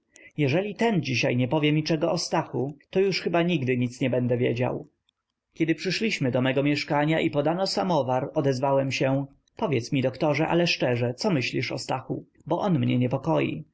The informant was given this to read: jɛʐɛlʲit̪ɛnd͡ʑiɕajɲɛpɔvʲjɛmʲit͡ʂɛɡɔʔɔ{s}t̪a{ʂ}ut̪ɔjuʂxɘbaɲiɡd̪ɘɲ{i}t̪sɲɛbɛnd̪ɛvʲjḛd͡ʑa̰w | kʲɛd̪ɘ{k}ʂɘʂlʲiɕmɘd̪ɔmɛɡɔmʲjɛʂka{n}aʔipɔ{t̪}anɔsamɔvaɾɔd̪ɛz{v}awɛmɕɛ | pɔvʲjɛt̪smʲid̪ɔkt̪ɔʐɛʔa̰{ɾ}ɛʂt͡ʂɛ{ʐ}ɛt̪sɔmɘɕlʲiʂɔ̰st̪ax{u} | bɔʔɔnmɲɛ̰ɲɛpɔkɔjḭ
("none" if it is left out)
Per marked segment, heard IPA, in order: s, x, i, p, ɲ, d̪, v, l, ʐ, u

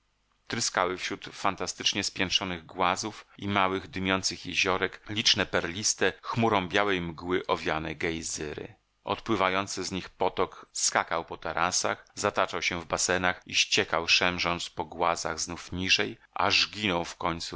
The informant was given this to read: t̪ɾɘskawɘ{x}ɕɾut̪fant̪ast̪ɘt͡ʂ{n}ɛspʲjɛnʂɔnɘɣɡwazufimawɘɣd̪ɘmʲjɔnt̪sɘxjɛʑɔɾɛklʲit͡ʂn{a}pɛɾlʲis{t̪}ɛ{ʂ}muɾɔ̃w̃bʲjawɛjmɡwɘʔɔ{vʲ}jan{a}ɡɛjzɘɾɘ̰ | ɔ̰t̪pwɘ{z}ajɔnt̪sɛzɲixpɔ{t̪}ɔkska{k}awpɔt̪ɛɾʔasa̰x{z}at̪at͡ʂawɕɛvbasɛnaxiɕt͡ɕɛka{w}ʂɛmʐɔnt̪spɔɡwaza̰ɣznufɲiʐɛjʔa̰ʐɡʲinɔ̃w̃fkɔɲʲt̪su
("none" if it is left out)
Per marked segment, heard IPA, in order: f, ɲ, ɛ, t̪, x, vʲ, ɛ, v, t̪, k, z, w

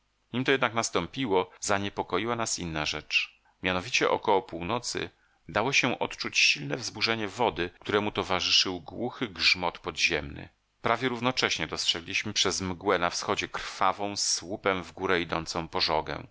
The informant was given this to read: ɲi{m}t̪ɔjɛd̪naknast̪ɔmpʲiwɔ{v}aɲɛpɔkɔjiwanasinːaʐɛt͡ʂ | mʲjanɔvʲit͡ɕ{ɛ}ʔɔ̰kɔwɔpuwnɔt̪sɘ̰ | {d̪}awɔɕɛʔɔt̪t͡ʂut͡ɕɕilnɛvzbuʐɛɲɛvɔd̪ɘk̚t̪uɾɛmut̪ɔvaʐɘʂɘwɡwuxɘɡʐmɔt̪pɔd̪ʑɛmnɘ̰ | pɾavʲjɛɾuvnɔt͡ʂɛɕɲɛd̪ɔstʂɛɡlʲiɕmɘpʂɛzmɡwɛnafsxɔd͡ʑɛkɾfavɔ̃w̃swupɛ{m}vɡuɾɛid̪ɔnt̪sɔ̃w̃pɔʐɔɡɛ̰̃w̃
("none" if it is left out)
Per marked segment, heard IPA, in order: m, z, ɛ, d̪, m

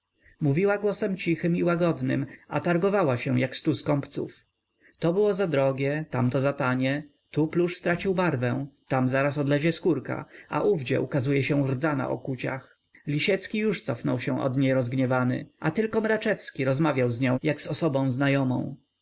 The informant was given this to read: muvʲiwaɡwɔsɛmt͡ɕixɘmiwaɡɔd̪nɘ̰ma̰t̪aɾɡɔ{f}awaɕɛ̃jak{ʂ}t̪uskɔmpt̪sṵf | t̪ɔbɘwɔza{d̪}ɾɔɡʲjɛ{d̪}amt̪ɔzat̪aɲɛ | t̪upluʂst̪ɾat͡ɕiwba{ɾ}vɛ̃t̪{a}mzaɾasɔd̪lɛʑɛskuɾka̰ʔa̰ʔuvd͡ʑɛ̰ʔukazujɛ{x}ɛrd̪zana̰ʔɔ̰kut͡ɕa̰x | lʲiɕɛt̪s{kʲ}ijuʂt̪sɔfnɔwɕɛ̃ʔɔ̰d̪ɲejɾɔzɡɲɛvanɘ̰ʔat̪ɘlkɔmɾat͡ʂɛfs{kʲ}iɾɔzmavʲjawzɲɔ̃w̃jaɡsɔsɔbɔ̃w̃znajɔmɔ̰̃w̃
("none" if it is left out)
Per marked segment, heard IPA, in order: v, s, d̪, t̪, ɾ, a, ɕ, kʲ, kʲ

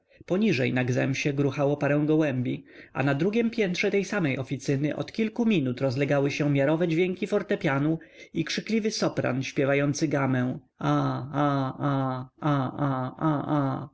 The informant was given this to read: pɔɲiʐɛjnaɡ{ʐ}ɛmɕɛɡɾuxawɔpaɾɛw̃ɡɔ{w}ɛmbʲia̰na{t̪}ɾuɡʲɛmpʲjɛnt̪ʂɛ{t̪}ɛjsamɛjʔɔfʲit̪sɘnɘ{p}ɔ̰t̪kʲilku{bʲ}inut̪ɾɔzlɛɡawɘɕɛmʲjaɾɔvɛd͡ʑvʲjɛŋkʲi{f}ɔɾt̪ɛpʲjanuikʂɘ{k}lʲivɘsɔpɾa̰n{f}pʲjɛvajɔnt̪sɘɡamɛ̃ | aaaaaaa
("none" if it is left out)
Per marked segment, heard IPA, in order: z, w, d̪, t̪, ʔ, mʲ, f, k, ɕ

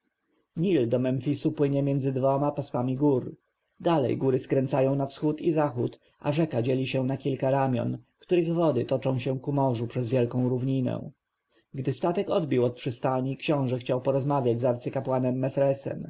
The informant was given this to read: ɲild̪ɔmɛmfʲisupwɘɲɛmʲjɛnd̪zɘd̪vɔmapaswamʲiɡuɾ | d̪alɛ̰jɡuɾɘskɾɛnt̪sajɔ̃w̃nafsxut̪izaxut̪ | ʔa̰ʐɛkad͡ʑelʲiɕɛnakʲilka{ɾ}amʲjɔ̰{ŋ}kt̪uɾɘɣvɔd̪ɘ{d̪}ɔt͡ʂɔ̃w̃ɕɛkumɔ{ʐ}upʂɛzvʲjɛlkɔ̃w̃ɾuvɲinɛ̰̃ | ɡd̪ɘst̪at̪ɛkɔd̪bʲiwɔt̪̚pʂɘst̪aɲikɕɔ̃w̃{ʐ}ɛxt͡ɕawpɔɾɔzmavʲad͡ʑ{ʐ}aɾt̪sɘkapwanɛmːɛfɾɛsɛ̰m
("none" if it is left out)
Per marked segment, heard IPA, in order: ɾ, n, t̪, ʐ, ʐ, z

